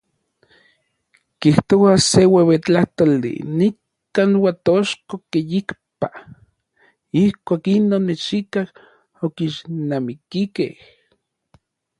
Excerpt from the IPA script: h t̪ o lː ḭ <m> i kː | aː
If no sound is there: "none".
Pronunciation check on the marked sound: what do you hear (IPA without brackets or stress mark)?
n